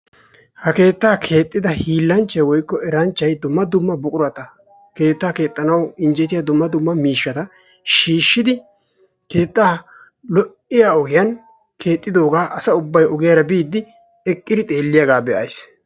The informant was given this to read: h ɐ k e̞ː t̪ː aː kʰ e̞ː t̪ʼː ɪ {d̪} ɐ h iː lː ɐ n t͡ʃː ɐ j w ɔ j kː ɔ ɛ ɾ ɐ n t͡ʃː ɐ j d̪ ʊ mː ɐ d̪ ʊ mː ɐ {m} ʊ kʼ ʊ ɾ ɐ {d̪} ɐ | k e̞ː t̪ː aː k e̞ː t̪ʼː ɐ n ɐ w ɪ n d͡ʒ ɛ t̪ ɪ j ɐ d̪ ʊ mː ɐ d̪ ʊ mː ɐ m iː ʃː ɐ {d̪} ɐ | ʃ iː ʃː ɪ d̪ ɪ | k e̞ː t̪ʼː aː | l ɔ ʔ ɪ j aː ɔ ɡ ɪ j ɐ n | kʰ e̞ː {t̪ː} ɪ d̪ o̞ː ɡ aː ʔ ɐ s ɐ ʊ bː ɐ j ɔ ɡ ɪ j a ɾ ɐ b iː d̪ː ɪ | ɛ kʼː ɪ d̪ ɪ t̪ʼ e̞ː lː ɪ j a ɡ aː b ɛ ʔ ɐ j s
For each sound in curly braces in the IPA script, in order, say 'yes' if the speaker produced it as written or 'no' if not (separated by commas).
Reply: yes, no, no, no, no